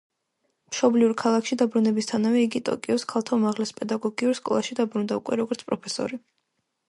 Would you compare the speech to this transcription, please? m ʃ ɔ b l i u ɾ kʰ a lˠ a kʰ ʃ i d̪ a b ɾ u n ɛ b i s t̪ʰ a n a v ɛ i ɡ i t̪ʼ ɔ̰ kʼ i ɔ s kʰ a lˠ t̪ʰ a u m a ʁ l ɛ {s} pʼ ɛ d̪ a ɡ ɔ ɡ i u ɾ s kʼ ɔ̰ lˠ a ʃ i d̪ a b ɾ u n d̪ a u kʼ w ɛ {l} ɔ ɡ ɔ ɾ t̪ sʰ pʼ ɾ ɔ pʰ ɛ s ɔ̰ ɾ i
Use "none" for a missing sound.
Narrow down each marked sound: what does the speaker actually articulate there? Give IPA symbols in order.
s, ɾ

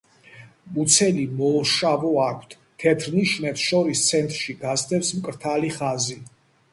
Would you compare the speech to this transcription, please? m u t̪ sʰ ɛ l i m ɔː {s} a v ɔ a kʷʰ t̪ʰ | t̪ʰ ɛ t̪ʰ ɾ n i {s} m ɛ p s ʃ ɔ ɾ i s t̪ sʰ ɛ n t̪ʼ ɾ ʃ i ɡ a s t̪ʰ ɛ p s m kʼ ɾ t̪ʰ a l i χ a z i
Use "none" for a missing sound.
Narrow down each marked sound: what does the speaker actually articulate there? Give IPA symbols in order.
ʃ, ʃ

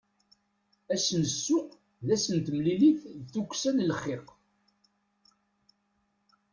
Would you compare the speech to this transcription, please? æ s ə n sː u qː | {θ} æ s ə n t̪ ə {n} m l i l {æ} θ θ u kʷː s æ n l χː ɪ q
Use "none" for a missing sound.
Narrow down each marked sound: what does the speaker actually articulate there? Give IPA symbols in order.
ð, none, i

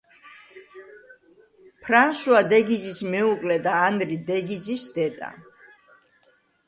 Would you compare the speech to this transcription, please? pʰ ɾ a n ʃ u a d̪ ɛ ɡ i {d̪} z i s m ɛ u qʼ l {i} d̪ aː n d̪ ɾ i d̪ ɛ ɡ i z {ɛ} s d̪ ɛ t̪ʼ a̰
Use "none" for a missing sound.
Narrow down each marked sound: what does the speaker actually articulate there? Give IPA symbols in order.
none, ɛ, i

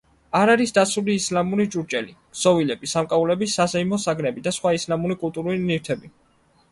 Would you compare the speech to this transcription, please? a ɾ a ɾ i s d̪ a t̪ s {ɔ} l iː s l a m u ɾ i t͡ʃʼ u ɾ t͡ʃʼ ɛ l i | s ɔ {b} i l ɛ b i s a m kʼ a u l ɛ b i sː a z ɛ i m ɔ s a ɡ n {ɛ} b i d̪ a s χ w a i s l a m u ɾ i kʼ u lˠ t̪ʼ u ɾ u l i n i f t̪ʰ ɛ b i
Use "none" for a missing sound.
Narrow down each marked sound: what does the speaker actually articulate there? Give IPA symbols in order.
u, v, ɛ

